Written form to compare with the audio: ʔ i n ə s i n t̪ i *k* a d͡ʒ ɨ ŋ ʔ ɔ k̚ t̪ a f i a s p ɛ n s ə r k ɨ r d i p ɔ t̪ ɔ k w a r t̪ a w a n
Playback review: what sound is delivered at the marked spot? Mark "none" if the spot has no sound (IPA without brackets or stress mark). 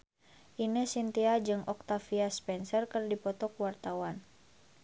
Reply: none